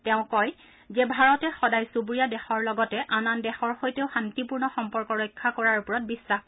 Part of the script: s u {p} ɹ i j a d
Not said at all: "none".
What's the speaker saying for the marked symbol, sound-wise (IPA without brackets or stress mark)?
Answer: b